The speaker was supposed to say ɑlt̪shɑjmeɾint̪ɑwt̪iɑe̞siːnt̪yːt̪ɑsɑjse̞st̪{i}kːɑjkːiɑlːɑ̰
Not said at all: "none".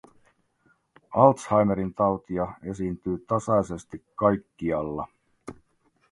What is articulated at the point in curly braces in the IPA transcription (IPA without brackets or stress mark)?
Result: i